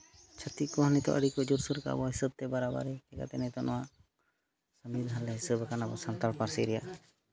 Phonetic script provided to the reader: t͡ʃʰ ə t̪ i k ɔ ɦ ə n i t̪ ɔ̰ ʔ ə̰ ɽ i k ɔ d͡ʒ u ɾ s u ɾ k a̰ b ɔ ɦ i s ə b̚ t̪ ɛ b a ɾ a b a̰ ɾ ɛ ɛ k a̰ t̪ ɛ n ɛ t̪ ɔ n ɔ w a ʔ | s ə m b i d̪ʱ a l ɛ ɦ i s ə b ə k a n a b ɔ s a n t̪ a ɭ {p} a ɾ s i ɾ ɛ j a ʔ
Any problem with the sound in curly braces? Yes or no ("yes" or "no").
no